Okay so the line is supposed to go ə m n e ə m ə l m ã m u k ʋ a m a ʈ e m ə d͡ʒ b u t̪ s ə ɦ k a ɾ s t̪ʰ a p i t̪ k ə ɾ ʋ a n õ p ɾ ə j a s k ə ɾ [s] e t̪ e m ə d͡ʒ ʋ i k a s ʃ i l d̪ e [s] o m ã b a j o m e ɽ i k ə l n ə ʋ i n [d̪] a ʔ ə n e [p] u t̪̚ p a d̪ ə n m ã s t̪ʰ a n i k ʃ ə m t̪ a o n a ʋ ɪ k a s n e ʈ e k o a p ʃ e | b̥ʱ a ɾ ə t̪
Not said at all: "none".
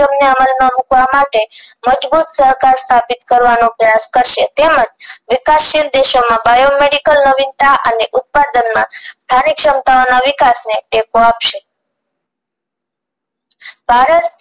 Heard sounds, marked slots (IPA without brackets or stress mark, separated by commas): ʃ, ʃ, t̪, ʔ